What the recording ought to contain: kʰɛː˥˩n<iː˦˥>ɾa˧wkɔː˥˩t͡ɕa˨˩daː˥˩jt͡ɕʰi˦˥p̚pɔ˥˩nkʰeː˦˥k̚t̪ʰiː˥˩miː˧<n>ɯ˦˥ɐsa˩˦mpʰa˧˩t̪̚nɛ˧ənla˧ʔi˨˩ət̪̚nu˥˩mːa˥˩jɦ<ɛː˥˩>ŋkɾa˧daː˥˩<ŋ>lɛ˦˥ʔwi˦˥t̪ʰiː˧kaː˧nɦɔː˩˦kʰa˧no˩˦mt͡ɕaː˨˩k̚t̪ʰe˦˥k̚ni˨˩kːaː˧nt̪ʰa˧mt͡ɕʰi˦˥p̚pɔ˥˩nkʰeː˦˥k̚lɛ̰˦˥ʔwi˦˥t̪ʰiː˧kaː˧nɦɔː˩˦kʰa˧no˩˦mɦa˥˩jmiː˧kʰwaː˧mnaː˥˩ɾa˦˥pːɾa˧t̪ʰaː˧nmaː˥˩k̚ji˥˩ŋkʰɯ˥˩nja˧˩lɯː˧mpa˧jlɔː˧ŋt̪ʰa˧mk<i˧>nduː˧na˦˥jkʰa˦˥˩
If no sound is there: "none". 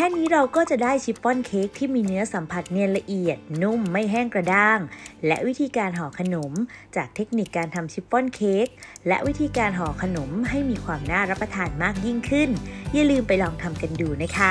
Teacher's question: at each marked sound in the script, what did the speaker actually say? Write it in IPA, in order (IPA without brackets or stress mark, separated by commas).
iː˦˥, n, ɛː˥˩, ŋ, a˧